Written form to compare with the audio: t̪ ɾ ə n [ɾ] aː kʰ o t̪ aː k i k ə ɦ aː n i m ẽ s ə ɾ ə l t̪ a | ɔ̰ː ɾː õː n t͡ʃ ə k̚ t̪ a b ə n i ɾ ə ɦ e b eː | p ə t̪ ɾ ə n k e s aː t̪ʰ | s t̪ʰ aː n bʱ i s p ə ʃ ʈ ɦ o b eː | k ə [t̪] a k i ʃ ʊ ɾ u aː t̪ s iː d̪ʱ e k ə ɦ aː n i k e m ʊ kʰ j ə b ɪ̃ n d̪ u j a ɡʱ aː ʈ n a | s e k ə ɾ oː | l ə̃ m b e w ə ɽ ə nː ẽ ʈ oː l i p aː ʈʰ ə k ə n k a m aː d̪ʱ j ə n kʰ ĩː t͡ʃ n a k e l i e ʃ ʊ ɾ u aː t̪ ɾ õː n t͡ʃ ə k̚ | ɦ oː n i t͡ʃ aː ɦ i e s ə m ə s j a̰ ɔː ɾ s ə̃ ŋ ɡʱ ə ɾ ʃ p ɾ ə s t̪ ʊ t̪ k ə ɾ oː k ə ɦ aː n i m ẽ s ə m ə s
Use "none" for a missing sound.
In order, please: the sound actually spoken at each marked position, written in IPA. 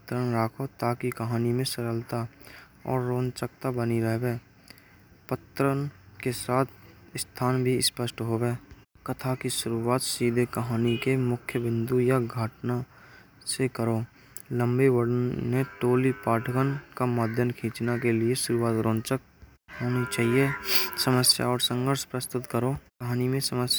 ɾ, t̪ʰ

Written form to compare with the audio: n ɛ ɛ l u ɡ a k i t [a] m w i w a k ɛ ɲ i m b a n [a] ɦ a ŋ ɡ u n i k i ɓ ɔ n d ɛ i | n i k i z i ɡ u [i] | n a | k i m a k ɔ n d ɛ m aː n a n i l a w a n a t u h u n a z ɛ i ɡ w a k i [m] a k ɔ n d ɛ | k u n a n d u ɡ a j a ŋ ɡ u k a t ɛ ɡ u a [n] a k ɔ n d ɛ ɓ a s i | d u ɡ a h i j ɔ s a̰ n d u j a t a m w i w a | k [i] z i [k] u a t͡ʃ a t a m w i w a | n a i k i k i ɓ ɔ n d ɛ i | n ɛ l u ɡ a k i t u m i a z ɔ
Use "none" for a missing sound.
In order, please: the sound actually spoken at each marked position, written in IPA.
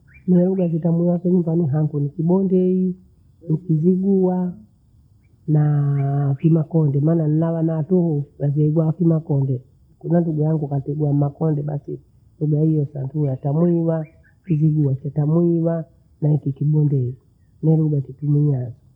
a, i, a, m, m, i, ɡ

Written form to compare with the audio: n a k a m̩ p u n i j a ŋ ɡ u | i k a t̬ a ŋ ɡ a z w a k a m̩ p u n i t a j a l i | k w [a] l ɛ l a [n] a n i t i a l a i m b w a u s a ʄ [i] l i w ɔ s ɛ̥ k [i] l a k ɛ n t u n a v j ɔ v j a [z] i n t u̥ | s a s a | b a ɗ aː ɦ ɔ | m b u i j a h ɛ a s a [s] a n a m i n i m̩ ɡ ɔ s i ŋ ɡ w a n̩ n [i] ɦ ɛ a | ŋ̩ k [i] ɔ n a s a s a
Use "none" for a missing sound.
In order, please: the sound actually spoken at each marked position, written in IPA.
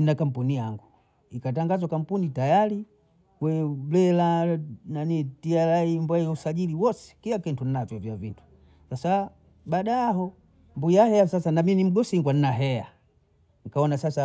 ɛ, n, i, i, v, s, a, a

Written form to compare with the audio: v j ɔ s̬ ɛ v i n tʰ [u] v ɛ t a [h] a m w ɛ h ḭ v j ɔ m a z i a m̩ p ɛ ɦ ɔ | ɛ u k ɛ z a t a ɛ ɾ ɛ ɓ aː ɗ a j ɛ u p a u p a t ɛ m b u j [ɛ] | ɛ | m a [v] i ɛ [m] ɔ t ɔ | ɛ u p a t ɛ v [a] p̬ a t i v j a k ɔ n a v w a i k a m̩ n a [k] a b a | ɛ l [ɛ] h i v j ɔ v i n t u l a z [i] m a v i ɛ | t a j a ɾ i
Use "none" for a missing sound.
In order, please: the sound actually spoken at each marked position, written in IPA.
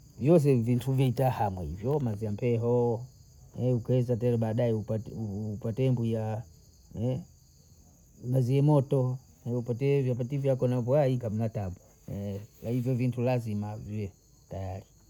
u, h, a, z, m, a, t, a, i

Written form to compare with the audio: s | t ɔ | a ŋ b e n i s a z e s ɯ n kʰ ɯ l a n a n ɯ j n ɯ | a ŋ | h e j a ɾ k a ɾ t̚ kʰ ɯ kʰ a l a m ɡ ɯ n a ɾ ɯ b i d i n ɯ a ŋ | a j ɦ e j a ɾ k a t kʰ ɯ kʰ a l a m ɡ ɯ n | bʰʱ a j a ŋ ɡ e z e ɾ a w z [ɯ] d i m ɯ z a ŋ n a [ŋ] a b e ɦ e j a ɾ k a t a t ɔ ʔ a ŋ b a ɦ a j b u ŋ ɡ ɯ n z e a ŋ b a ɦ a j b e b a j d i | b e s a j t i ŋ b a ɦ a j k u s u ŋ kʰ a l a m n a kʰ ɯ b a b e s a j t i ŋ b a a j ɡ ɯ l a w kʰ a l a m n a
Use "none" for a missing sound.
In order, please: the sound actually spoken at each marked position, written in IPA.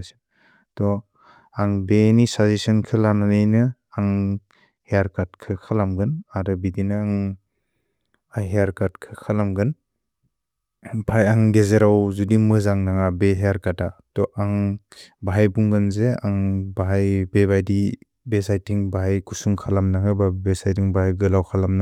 u, ŋ

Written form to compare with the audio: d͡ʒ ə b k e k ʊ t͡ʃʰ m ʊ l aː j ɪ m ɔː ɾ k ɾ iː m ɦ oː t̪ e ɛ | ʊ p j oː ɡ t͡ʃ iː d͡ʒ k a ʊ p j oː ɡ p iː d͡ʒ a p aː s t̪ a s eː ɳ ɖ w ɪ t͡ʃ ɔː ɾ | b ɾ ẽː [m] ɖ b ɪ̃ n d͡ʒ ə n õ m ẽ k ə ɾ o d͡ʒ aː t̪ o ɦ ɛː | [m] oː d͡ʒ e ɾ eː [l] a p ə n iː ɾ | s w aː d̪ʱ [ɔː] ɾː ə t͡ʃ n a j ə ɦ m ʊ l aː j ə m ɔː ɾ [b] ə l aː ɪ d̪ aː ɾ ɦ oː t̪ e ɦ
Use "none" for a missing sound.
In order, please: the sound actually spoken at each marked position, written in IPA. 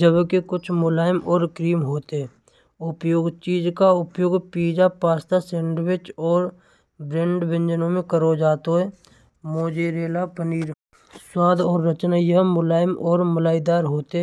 ɳ, m, l, ɔː, m

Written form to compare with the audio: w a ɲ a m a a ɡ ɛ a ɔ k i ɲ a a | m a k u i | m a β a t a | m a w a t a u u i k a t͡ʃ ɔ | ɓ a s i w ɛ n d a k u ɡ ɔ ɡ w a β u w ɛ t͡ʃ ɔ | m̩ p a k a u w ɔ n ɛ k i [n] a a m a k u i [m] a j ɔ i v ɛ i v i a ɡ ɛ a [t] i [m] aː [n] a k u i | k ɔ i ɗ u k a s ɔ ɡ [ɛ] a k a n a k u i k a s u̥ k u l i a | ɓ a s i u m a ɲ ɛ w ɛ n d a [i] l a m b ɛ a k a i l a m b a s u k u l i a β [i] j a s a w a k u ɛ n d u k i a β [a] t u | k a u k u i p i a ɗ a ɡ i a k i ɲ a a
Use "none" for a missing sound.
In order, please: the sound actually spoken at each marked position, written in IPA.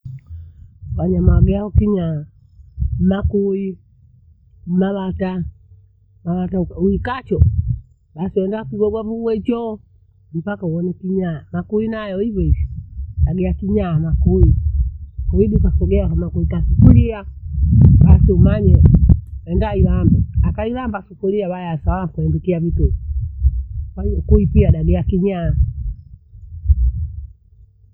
ɲ, n, k, ɲ, m, ɛ, i, a, i

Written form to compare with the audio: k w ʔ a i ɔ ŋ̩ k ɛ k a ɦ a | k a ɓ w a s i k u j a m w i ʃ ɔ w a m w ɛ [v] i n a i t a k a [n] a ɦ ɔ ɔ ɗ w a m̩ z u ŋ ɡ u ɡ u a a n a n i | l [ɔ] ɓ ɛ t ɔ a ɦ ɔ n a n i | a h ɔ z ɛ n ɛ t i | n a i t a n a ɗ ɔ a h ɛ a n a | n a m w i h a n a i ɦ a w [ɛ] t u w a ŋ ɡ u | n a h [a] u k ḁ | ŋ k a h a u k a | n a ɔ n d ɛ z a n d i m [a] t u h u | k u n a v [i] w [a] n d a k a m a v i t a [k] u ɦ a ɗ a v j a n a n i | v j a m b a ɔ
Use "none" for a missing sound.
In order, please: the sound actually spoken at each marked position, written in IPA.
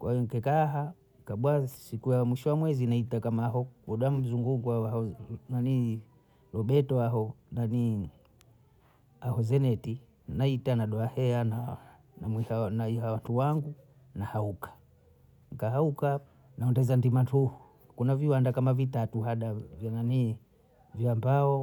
z, m, ɔ, a, a, a, i, a, t

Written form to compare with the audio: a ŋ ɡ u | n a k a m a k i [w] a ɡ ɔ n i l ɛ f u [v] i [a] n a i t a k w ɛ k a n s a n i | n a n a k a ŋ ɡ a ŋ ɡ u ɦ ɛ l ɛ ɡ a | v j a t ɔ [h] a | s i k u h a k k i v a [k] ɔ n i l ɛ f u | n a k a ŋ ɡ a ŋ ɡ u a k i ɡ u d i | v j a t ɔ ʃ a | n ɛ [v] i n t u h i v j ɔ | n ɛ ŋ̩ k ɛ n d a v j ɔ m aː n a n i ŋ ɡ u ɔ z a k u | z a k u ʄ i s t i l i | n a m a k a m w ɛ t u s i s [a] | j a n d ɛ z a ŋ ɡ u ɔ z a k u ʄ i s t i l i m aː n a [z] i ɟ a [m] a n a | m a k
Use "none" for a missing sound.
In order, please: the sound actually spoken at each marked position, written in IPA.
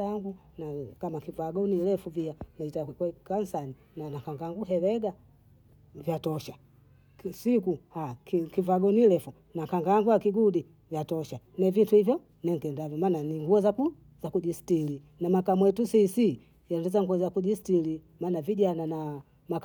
v, v, a, ʃ, ɡ, v, i, v, n

